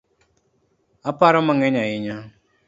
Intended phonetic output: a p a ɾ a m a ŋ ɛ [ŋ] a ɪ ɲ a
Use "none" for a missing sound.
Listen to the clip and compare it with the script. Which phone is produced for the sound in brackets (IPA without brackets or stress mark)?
ɲ